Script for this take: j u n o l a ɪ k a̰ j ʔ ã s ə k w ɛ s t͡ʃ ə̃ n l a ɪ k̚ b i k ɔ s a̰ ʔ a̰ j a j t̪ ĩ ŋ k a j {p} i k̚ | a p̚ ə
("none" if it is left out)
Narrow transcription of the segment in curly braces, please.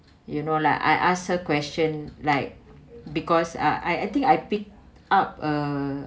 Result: p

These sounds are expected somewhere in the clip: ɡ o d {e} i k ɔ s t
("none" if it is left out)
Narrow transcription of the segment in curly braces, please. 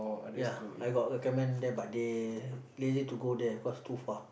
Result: ɛ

